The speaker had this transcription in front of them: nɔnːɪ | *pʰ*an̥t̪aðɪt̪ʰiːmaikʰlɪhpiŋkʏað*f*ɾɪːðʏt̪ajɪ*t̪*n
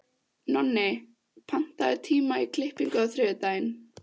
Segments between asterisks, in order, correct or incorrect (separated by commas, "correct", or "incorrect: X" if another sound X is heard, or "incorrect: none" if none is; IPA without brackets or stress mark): correct, incorrect: θ, incorrect: none